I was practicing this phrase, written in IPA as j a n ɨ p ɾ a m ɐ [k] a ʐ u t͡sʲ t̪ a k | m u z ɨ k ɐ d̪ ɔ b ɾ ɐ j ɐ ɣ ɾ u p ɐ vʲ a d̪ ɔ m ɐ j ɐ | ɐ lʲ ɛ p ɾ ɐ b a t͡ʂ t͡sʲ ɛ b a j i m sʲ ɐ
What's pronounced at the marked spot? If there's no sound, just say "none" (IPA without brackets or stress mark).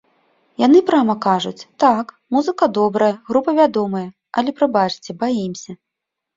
k